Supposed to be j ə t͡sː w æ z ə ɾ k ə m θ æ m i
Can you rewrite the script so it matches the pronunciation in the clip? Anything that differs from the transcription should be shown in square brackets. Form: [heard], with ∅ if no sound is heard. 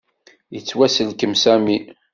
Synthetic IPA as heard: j ə t͡sː w æ [s] ə [l] k ə m [s] æ m i